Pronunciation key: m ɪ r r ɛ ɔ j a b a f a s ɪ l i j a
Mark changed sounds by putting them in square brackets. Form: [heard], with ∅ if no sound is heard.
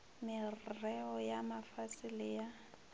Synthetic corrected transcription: m ɪ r r ɛ ɔ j a [m] a f a s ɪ l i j a